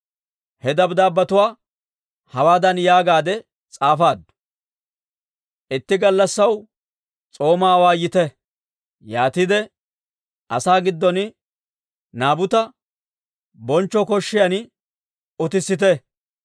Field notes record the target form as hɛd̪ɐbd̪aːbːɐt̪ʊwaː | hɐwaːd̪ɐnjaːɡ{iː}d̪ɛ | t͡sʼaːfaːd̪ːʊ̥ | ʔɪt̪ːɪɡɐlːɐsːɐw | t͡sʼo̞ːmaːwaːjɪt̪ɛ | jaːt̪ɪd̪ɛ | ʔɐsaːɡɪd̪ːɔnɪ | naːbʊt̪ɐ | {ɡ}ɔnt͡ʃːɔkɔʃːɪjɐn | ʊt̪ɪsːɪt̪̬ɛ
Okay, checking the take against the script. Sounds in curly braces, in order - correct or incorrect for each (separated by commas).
incorrect, incorrect